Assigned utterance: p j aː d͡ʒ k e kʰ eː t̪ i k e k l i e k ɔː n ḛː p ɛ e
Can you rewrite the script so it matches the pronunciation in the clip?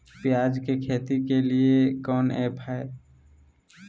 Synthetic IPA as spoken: p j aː d͡ʒ k e kʰ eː t̪ i k e l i e k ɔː n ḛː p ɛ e